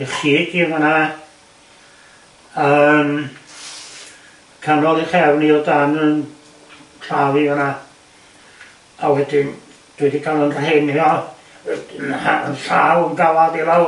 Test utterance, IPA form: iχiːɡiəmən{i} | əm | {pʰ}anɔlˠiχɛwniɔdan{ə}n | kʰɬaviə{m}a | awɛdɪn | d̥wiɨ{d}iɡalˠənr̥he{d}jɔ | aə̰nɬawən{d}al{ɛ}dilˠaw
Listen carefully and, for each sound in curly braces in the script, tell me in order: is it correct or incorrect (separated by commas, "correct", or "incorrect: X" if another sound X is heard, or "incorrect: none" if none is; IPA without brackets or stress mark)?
incorrect: a, incorrect: kʰ, correct, incorrect: n, correct, incorrect: n, incorrect: ɡ, incorrect: a